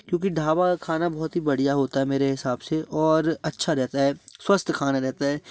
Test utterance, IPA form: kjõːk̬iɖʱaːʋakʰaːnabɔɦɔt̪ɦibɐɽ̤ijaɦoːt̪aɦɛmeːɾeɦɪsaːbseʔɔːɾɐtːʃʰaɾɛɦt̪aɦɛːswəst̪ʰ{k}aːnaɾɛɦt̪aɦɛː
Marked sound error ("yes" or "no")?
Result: yes